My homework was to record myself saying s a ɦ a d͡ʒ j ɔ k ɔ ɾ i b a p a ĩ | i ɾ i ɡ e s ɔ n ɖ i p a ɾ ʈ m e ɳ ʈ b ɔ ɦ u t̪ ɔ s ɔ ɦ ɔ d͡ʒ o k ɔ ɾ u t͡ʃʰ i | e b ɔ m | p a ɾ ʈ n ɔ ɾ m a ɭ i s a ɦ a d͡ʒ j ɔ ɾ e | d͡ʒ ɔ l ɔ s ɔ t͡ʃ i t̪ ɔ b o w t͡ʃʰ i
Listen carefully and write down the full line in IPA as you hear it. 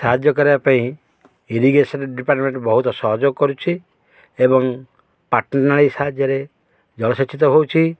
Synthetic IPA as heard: s a ɦ a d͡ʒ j ɔ k ɔ ɾ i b a p a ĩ | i ɾ i ɡ e s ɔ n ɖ i p a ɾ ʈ m e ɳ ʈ b ɔ ɦ u t̪ ɔ s ɔ ɦ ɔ d͡ʒ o k ɔ ɾ u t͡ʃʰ i | e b ɔ ŋ | p a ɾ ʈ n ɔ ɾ n a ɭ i s a ɦ a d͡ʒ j ɔ ɾ e | d͡ʒ ɔ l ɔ s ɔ t͡ʃ i t̪ ɔ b o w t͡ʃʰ i